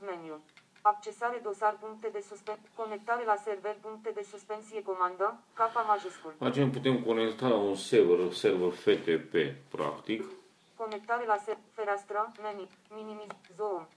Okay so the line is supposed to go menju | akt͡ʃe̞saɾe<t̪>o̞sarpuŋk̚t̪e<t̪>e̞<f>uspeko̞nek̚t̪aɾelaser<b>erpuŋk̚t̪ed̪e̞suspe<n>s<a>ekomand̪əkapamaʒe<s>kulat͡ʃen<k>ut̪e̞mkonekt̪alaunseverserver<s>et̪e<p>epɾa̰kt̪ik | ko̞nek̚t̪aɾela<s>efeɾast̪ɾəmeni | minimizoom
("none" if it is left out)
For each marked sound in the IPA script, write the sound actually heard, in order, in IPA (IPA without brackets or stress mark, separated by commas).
d̪, d̪, s, v, n, i, s, p, f, p, s